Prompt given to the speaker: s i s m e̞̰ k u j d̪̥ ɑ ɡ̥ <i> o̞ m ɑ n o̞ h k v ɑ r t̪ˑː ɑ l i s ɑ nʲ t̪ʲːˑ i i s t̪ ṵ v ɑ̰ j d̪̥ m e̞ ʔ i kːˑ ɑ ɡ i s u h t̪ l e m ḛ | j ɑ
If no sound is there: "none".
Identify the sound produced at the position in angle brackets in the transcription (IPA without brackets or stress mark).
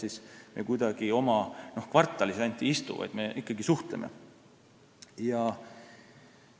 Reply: i